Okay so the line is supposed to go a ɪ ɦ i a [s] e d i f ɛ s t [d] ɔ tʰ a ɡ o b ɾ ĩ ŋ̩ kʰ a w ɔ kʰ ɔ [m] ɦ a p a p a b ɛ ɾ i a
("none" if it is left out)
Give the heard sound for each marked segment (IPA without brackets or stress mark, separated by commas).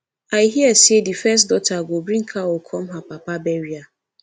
s, d, m